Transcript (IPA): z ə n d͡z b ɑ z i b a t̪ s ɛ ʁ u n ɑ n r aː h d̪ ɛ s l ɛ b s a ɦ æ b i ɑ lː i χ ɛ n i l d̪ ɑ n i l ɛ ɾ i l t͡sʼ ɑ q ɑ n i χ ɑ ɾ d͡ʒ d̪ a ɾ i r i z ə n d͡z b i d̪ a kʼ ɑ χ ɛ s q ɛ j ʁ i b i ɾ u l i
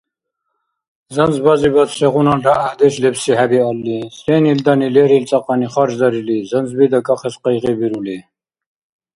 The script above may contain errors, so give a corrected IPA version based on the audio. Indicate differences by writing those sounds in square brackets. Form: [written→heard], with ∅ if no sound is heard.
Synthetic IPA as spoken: z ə n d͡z b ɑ z i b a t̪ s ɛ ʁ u n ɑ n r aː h d̪ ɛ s l ɛ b s [a→i] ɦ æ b i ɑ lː i [χ→s] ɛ n i l d̪ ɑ n i l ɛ ɾ i l t͡sʼ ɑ q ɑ n i χ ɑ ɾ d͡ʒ d̪ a ɾ i [r→l] i z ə n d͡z b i d̪ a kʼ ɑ χ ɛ s q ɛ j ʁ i b i ɾ u l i